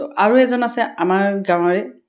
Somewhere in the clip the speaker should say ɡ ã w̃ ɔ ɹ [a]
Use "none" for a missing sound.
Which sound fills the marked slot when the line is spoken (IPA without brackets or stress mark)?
ɛ